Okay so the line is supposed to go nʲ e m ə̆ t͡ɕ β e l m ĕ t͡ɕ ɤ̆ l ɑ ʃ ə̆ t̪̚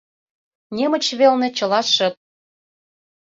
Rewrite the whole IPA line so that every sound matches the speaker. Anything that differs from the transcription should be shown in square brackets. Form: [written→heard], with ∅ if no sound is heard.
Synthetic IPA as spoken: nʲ e m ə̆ t͡ɕ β e l [m→n] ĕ t͡ɕ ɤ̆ l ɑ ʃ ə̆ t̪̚